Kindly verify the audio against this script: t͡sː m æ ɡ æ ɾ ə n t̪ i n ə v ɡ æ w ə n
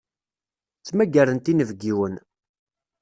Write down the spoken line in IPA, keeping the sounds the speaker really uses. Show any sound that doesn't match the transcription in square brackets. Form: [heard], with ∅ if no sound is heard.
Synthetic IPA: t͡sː m æ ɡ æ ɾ ə n t̪ i n ə v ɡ [i] w ə n